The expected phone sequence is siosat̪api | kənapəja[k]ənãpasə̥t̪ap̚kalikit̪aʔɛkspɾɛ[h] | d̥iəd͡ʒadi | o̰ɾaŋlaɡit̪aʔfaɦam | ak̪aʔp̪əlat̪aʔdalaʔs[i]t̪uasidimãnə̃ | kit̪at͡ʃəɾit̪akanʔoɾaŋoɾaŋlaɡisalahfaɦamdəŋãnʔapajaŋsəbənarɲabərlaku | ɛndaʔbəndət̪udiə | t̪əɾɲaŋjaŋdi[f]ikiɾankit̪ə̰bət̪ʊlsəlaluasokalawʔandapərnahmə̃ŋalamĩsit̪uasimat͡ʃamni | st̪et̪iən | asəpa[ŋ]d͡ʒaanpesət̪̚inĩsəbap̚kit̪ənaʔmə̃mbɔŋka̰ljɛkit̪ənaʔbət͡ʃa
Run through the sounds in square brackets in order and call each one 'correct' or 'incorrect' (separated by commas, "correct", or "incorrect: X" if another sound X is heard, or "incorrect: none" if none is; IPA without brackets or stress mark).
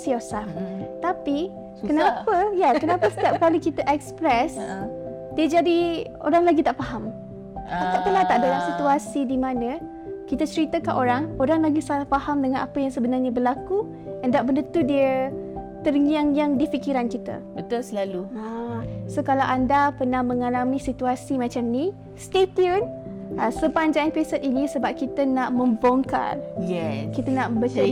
correct, incorrect: s, correct, correct, incorrect: ɲ